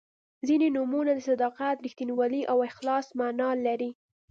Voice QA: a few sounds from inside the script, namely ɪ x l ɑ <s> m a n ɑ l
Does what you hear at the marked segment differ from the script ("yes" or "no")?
no